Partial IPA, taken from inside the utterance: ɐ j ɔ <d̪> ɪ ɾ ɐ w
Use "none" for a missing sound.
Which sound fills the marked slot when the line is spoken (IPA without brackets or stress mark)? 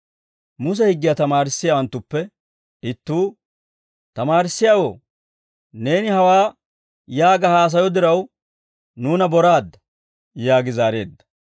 d̪